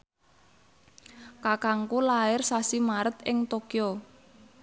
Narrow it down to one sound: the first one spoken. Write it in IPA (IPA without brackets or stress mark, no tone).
k